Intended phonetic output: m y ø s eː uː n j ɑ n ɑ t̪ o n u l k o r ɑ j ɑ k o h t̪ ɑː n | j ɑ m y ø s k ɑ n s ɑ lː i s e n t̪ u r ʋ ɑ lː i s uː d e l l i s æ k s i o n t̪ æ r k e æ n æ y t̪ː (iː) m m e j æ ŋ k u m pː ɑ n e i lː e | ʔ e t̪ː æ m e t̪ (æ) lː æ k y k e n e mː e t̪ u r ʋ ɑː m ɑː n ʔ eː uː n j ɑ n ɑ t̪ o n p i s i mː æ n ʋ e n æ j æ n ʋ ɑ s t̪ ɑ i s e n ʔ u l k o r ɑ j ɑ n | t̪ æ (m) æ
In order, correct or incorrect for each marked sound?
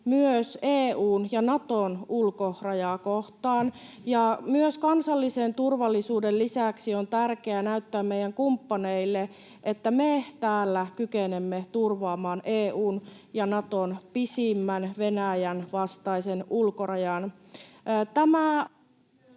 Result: incorrect: æː, incorrect: æː, correct

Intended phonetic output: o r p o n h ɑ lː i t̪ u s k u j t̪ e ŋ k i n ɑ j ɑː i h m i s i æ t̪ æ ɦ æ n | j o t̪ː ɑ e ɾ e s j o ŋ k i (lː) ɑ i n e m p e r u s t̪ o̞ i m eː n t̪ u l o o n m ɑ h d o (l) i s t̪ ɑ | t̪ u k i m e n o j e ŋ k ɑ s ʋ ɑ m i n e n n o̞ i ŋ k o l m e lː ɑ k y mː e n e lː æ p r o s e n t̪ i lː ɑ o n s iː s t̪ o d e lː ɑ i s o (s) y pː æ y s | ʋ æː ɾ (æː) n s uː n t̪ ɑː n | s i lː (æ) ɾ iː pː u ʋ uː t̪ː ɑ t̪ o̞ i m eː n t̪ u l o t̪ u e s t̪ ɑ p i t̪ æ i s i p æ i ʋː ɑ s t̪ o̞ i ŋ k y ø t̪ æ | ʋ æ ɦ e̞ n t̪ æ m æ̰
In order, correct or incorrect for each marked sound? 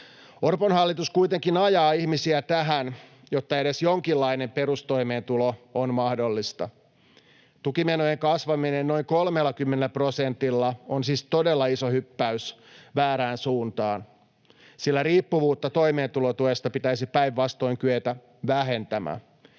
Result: correct, incorrect: lː, incorrect: h, correct, correct

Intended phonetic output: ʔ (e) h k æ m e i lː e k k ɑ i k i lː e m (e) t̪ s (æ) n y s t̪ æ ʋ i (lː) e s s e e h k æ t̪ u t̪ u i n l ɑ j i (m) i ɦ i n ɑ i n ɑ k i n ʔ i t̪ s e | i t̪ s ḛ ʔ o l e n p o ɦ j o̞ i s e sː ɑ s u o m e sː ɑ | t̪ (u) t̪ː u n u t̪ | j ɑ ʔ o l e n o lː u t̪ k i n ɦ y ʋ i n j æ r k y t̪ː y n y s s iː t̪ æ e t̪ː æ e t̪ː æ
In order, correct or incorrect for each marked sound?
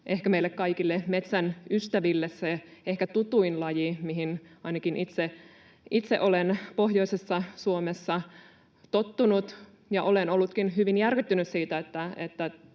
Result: correct, correct, correct, correct, correct, incorrect: o

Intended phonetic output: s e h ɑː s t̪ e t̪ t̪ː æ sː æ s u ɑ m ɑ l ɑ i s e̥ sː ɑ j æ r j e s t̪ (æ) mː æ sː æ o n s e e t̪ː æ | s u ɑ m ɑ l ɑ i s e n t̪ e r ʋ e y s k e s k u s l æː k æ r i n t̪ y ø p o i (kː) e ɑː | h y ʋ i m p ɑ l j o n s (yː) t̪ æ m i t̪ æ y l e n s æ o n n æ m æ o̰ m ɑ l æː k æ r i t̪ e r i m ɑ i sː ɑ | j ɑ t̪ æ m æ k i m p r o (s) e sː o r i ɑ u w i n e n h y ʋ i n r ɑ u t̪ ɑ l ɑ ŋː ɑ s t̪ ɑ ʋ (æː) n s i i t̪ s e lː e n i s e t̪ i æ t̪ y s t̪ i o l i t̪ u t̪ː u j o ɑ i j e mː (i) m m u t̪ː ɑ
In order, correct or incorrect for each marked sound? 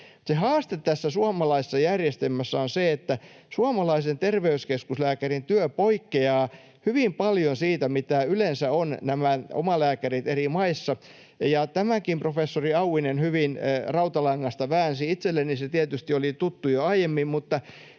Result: incorrect: e, correct, incorrect: iː, incorrect: f, correct, correct

